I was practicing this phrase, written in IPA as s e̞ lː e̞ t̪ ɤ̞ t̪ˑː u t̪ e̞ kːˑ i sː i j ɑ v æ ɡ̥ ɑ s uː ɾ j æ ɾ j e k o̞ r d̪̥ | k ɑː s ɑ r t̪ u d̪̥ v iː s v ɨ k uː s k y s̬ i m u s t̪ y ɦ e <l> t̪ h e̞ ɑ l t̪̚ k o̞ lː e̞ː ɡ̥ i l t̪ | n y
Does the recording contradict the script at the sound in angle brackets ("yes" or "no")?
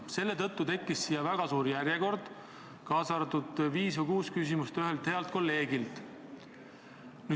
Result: no